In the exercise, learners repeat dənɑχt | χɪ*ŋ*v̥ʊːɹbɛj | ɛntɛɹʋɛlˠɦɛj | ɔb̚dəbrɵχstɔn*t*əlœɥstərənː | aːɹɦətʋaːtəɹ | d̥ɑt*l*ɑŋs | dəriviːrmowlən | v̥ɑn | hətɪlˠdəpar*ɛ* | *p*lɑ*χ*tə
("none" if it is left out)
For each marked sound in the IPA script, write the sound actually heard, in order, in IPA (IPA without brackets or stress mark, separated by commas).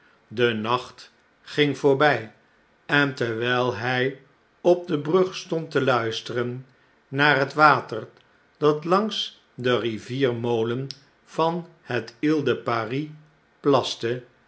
ŋ, t, l, i, p, s